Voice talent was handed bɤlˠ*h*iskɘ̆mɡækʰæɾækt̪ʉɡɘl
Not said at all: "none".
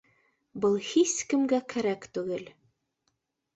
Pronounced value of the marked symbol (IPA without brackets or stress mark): h